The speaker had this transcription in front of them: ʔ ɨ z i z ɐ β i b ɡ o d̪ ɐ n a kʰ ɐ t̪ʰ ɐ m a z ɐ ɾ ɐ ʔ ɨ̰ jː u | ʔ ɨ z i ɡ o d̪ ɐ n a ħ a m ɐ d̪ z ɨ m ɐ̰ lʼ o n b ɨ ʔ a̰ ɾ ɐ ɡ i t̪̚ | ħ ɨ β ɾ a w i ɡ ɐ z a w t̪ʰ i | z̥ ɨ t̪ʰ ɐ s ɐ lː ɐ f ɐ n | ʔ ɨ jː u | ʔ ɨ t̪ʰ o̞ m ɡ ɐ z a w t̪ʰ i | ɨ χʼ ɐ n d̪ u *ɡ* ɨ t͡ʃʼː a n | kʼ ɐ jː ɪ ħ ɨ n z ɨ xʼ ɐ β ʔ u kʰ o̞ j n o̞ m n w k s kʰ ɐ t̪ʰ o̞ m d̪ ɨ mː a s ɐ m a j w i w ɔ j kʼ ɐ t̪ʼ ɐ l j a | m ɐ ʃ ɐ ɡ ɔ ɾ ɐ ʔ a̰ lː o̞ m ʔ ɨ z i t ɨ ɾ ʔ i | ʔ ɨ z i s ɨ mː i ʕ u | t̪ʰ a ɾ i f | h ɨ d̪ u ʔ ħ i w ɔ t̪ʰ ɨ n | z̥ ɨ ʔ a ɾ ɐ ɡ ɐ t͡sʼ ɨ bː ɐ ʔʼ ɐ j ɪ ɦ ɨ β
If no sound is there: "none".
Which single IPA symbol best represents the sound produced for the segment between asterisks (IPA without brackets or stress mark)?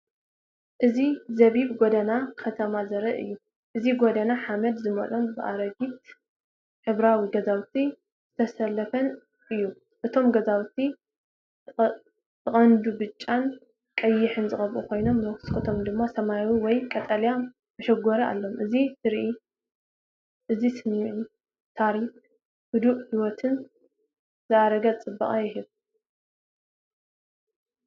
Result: b